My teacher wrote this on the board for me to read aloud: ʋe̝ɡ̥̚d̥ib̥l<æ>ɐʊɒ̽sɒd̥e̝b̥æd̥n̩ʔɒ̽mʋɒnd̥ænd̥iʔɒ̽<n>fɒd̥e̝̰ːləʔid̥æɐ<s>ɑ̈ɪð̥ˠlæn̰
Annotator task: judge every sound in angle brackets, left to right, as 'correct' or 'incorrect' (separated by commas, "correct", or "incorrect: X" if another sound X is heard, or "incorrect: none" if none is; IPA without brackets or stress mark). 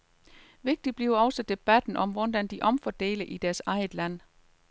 incorrect: i, incorrect: m, correct